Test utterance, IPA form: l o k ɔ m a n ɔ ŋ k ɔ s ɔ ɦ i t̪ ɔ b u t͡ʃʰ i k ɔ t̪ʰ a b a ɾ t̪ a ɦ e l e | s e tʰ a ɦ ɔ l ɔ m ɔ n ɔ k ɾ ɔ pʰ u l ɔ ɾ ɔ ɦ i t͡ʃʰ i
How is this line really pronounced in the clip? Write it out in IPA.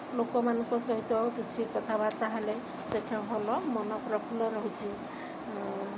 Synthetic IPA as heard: l o k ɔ m a n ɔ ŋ k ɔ s ɔ ɦ i t̪ ɔ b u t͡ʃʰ i k ɔ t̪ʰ a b a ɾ t̪ a ɦ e l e | s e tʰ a ɦ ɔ l ɔ m ɔ n ɔ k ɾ ɔ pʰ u l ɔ ɾ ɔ ɦ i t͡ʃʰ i